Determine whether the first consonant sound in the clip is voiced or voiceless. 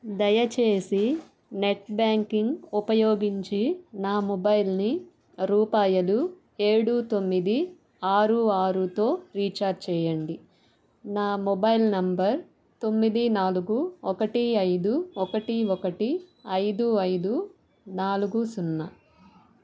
voiced